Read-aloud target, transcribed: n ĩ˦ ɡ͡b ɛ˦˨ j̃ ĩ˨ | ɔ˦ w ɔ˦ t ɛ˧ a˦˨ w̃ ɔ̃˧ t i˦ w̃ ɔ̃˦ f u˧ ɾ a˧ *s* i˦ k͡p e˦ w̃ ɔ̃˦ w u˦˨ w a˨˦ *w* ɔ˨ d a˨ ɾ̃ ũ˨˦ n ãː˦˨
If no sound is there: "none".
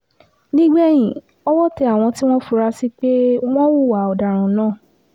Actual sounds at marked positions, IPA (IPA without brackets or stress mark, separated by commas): s, none